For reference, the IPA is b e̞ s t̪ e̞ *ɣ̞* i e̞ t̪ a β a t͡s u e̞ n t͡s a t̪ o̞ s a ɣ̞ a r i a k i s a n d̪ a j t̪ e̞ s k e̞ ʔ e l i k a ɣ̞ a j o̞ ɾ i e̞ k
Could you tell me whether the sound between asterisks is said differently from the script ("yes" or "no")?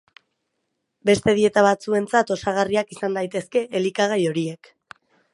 yes